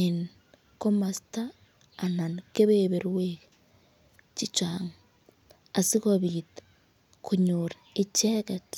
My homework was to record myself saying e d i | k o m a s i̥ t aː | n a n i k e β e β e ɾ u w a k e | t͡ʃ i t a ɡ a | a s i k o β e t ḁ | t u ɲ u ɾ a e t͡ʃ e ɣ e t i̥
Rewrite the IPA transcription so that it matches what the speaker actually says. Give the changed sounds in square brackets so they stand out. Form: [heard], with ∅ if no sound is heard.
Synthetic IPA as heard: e [n] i | k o m a s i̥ t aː | n a n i k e β e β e ɾ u w [e] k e | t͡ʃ i [t͡ʃ] a [ŋ] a | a s i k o β [i] t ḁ | [k] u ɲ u ɾ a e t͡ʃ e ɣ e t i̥

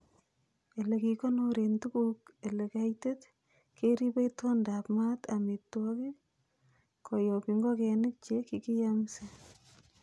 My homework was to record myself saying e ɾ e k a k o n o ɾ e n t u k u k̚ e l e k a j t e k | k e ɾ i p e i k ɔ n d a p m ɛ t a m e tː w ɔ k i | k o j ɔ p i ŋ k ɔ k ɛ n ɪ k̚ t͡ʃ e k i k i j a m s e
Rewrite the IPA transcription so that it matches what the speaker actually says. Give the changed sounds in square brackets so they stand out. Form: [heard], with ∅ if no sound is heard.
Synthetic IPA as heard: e [l] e k [i] k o n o ɾ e n t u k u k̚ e l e k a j t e [t] | k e ɾ i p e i [t] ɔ n d a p m [a] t a m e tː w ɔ k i | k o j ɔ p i ŋ [ɡ] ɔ k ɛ n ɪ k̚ t͡ʃ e k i k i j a m s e

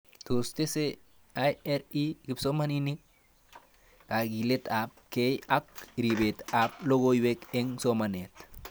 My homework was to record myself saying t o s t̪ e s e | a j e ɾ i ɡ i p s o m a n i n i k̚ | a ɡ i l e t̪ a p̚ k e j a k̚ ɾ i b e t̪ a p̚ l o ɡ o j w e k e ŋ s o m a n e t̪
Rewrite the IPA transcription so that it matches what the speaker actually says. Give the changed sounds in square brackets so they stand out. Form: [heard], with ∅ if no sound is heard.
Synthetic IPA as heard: t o s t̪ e s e | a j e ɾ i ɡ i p s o m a n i n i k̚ | a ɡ i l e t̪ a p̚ k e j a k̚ ɾ i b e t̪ a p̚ l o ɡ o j w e k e ŋ s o m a n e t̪

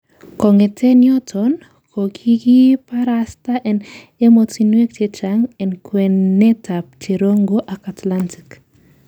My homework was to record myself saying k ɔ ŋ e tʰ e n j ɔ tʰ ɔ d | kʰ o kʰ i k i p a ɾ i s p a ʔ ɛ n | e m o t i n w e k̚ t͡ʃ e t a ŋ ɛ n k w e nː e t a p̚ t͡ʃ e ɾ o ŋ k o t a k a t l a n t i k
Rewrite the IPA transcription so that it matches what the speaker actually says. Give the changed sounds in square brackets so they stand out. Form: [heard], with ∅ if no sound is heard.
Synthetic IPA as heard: k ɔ ŋ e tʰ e n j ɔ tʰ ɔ [n] | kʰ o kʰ i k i p a ɾ [a] s [t] a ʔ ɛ n | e m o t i n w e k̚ t͡ʃ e [t͡ʃ] a ŋ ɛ n k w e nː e t a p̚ t͡ʃ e ɾ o ŋ [ɡ] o [ʔ] a k a t l a n t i k

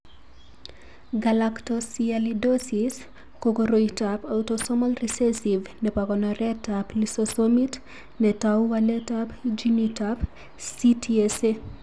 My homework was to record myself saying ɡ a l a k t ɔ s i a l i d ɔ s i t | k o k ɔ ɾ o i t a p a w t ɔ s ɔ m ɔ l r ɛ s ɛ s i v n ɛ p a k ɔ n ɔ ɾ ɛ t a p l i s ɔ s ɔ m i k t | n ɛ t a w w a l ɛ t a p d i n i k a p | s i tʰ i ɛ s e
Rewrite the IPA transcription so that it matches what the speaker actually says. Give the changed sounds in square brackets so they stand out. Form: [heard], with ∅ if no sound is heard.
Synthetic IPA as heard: ɡ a l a k t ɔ s i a l i d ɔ s i [s] | k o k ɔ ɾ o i t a p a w t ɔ s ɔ m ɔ l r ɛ s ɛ s i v n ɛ p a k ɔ n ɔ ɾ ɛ t a p l i s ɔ s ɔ m i [∅] t | n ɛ t a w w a l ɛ t a p [d͡ʒ] i n i [t] a p | s i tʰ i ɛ s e

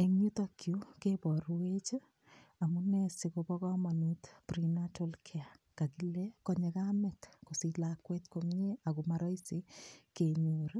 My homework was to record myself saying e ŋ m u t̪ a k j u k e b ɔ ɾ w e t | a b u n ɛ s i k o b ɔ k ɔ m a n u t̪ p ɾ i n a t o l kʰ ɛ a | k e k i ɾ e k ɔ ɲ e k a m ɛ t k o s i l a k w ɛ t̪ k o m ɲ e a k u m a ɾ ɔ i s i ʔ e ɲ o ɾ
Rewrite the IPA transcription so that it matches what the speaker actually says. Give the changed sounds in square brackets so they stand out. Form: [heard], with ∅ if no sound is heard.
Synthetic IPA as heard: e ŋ [ɲ] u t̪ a k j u k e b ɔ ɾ w e [t͡ʃ] | a [m] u n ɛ s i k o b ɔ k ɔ m a n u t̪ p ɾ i n a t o l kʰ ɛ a | k [a] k i [l] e k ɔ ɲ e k a m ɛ t k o s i l a k w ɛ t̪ k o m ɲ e a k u m a ɾ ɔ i s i [k] e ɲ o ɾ

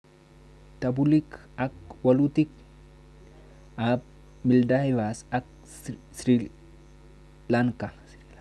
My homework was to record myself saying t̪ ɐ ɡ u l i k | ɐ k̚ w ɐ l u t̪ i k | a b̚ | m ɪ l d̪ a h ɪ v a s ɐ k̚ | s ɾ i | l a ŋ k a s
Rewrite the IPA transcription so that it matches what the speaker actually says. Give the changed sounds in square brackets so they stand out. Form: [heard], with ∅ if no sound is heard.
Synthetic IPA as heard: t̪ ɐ [b] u l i k | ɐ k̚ w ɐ l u t̪ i k | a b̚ | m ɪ l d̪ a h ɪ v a s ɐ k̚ | s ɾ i | l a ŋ k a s

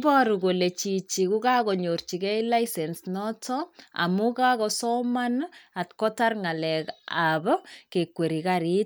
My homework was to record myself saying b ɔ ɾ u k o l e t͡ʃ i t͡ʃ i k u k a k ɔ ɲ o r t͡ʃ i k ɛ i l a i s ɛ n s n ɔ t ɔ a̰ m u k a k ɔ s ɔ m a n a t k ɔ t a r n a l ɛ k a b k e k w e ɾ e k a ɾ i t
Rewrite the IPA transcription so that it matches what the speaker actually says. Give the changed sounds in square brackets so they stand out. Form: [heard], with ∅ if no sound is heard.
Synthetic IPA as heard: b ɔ ɾ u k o l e t͡ʃ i t͡ʃ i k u k a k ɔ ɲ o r t͡ʃ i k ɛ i l a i s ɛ n s n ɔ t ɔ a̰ m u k a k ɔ s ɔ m a n a t k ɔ t a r [ŋ] a l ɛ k a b k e k w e ɾ [i] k a ɾ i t

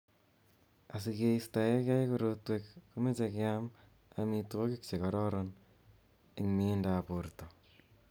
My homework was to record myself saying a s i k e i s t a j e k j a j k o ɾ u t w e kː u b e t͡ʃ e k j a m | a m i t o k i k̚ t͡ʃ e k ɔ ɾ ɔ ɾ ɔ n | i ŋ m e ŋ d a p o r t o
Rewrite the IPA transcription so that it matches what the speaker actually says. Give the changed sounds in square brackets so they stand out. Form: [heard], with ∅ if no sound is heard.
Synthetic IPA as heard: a s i k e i s t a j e k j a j k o ɾ [o] t w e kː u [m] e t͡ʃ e k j a m | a m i t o k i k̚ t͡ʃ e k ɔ ɾ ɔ ɾ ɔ n | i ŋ m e [n] d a p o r t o

